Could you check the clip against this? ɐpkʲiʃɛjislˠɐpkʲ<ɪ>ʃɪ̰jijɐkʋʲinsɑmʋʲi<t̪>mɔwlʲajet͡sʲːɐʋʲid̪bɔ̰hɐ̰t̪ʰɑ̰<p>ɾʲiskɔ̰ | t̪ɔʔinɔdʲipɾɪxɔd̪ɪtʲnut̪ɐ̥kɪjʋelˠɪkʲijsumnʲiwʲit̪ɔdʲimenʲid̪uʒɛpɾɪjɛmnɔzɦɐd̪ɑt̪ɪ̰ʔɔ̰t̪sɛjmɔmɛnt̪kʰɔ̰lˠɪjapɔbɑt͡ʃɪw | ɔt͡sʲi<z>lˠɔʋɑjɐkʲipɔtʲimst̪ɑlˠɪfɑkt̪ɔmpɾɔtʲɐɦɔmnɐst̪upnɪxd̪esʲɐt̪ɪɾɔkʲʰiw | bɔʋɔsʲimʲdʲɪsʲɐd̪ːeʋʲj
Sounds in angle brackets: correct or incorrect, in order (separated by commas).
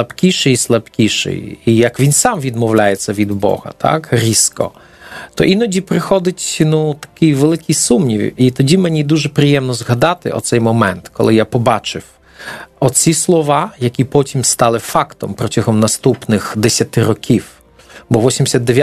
incorrect, incorrect, incorrect, incorrect